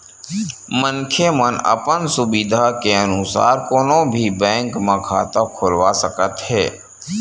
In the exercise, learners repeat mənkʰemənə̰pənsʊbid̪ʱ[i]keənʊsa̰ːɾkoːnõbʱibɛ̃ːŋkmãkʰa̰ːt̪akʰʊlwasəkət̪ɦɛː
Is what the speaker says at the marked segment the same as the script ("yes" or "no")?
no